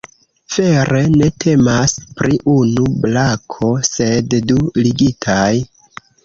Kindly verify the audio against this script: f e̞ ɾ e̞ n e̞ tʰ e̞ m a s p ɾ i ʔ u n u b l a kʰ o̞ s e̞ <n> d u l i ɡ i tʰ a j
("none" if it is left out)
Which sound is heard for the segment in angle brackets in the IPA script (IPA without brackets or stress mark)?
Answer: d